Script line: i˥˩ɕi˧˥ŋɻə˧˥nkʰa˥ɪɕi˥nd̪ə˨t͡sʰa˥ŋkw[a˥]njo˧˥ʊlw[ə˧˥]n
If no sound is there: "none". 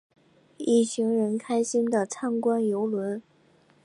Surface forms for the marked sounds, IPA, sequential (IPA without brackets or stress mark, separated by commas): a˥, ə˧˥